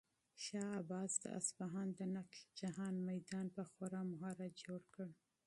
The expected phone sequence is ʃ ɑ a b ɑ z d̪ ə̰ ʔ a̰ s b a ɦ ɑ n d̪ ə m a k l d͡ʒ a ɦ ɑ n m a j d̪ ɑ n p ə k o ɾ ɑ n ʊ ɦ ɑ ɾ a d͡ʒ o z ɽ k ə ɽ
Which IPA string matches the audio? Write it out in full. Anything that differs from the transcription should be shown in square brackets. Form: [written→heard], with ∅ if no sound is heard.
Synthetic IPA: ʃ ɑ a b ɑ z d̪ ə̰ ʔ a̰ s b a ɦ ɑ n d̪ ə [m→n] a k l d͡ʒ a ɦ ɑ n m a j d̪ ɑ n p ə [k→x] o ɾ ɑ [n→m] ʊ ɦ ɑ ɾ a d͡ʒ o [z→∅] ɽ k ə ɽ